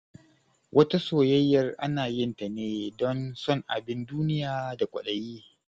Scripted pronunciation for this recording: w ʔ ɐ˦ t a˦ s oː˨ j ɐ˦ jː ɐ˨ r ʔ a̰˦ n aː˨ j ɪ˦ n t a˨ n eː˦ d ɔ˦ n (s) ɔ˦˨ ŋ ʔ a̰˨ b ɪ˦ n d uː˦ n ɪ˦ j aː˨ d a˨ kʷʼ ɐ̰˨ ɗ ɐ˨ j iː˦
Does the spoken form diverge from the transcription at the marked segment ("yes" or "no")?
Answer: no